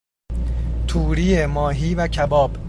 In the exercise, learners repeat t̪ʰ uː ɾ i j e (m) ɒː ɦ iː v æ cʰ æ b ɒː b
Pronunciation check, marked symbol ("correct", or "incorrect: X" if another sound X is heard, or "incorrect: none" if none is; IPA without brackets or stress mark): correct